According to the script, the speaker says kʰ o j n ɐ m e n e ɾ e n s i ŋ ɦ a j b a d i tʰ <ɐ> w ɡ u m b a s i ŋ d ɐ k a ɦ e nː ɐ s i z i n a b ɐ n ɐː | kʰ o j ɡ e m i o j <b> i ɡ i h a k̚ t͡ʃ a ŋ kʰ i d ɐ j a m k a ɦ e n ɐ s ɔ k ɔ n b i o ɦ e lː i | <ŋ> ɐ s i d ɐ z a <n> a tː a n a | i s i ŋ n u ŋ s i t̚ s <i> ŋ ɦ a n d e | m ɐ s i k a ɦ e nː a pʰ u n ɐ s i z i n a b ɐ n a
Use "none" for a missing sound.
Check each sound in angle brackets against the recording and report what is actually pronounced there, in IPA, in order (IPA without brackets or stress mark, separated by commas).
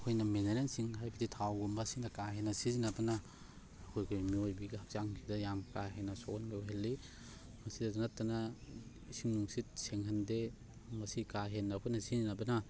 a, b, m, n, e